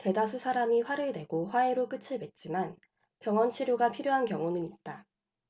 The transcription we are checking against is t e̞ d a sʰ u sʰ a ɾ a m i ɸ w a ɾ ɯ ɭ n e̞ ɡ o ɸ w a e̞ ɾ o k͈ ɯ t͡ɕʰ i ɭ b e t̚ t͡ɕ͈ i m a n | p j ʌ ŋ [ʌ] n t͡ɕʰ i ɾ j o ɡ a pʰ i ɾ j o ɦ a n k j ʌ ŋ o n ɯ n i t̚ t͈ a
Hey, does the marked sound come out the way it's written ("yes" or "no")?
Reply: yes